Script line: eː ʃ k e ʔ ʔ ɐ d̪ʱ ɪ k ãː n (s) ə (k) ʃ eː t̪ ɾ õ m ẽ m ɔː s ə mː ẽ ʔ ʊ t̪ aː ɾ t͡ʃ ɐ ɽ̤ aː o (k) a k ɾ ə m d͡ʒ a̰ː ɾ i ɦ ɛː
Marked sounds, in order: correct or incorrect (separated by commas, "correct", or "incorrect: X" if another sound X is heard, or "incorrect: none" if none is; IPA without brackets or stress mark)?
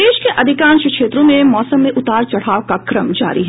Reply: incorrect: ʃ, correct, correct